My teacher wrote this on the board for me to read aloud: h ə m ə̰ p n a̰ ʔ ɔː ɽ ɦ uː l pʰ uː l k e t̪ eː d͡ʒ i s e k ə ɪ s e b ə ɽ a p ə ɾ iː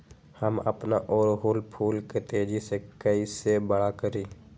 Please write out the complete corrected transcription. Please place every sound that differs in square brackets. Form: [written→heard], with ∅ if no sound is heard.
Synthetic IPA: h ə m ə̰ p n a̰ ʔ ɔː [ɽ→ɾ] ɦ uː l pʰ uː l k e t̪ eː d͡ʒ i s e k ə [ɪ→i] s e b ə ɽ a [p→k] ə ɾ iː